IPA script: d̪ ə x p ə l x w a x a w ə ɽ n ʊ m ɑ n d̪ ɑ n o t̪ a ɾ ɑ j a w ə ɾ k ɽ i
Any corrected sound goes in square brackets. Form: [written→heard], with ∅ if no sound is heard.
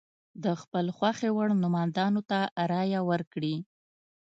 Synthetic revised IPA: d̪ ə x p ə l x w a x [a→e] w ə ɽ n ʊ m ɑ n d̪ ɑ n o t̪ a ɾ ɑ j a w ə ɾ k ɽ i